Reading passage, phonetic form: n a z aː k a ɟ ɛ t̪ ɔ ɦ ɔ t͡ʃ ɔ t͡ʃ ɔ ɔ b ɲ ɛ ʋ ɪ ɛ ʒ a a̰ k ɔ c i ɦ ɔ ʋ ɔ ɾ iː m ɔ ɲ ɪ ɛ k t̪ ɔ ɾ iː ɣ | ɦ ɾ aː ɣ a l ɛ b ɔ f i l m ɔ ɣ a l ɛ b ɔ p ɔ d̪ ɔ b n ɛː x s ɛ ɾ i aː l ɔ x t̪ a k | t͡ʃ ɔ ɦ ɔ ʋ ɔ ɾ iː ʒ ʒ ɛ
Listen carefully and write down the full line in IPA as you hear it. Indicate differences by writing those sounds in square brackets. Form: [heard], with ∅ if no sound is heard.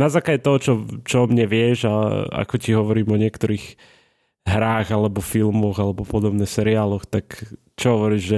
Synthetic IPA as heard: n a z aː k a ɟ ɛ t̪ ɔ ɦ ɔ t͡ʃ ɔ t͡ʃ ɔ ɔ [m] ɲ ɛ ʋ ɪ ɛ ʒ a a̰ k ɔ c i ɦ ɔ ʋ ɔ ɾ iː m ɔ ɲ ɪ ɛ k t̪ ɔ ɾ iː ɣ | ɦ ɾ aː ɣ a l ɛ b ɔ f i l m ɔ ɣ a l ɛ b ɔ p ɔ d̪ ɔ b n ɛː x s ɛ ɾ i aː l ɔ x t̪ a k | t͡ʃ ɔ ɦ ɔ ʋ ɔ ɾ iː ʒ ʒ ɛ